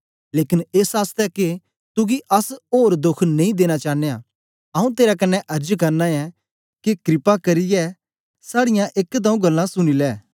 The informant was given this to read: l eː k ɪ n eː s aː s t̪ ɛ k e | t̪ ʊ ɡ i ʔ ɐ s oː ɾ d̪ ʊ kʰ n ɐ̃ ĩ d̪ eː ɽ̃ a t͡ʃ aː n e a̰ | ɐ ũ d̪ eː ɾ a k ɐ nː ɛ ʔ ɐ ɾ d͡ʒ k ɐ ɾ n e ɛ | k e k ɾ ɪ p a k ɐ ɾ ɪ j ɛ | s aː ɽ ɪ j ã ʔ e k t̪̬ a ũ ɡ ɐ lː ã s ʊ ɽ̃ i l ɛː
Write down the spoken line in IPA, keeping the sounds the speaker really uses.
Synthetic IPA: l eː k ɪ n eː s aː s t̪ ɛ k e | t̪ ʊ ɡ i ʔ ɐ s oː ɾ d̪ ʊ kʰ n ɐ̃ ĩ d̪ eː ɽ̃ a t͡ʃ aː n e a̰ | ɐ ũ t̪ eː ɾ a k ɐ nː ɛ ʔ ɐ ɾ d͡ʒ k ɐ ɾ n a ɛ | k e k ɾ ɪ p a k ɐ ɾ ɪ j ɛ | s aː ɽ ɪ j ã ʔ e k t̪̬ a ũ ɡ ɐ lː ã s ʊ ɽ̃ i l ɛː